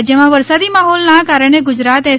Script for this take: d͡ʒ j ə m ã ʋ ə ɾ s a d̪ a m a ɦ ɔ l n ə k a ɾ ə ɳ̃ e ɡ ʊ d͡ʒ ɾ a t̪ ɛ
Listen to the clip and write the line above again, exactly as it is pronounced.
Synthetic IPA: d͡ʒ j ə m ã ʋ ə ɾ s a d̪ i m a ɦ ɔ l n a k a ɾ ə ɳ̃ e ɡ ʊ d͡ʒ ɾ a t̪ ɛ

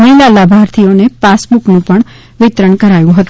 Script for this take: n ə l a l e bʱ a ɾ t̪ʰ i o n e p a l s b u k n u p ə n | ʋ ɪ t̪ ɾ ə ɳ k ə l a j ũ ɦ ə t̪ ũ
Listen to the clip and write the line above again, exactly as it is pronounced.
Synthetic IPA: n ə l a l a bʱ a ɾ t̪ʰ i o n e p a s b u k n ũ p ə ɳ | ʋ ɪ t̪ ɾ ə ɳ k ə ɾ a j ũ ɦ ə t̪ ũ

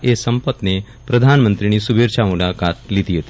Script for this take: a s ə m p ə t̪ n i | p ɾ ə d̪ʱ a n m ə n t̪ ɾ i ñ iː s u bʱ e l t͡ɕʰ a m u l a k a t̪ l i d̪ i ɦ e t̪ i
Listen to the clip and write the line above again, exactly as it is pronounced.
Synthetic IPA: e s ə m p ə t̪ n e | p ɾ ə d̪ʱ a n m ə n t̪ ɾ i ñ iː s u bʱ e ɾ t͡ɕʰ a m u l a k a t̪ l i t̪ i ɦ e t̪ i

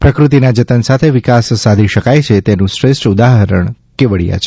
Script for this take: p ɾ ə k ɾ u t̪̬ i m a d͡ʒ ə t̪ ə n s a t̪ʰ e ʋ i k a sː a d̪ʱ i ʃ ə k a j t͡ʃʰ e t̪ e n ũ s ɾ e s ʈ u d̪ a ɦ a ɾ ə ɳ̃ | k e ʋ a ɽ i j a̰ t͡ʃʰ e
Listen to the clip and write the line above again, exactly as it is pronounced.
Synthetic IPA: p ɾ ə k ɾ u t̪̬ i n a d͡ʒ ə t̪ ə n s a t̪ʰ e ʋ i k a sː a d̪ʱ i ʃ ə k a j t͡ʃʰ e t̪ e n ũ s ɾ e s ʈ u d̪ a ɦ ə ɾ ə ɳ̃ | k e ʋ ə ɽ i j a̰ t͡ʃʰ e

